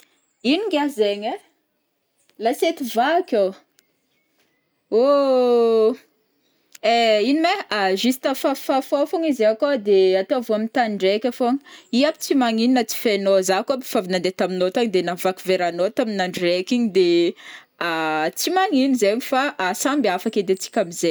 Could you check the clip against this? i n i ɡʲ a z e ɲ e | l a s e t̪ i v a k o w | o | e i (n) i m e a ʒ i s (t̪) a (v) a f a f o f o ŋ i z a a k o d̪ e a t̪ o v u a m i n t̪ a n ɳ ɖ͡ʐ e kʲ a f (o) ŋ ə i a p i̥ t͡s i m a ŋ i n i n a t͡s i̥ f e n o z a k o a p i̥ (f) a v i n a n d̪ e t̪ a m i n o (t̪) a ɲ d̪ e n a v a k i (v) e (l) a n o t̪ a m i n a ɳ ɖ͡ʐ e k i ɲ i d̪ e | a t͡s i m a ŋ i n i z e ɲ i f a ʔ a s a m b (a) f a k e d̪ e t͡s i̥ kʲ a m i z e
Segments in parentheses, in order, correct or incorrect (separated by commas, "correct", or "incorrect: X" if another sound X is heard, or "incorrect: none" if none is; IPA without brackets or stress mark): correct, correct, incorrect: f, correct, correct, correct, correct, incorrect: ɾ, correct